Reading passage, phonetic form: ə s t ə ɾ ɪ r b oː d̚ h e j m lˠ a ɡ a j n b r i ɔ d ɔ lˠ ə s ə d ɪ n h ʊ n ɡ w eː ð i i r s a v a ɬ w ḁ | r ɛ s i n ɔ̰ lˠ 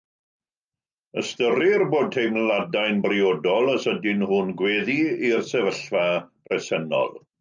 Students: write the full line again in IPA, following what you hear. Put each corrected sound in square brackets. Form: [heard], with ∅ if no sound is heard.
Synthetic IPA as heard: ə s t ə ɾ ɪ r b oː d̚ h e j m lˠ a [d] a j n b r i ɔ d ɔ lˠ ə s ə d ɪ n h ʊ n ɡ w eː ð i i r s [ɛ] v [ə] ɬ [v] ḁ | r ɛ s [ɛ] n ɔ̰ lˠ